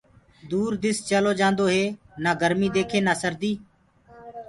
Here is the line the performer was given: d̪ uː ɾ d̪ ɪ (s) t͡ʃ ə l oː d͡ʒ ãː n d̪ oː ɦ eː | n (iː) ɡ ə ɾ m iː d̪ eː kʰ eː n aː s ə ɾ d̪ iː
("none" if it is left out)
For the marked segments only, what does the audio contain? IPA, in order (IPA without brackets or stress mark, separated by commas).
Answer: s, aː